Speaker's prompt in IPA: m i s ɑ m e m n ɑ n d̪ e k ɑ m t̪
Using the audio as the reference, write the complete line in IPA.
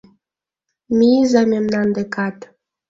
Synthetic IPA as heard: m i z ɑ m e m n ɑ n d̪ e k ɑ t̪